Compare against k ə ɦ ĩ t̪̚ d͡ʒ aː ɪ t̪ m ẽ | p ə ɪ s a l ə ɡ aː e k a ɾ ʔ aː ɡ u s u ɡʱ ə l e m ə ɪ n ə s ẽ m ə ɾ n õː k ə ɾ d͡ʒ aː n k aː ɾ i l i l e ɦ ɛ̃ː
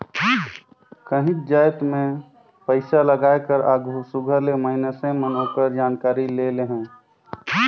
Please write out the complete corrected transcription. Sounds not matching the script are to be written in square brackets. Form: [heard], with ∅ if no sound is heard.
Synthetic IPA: k ə ɦ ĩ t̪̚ d͡ʒ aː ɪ t̪ m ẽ | p ə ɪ s a l ə ɡ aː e k [ə] ɾ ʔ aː ɡ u s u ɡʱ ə l e m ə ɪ n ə s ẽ m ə [∅] n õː k ə ɾ d͡ʒ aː n k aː ɾ i l [e] l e ɦ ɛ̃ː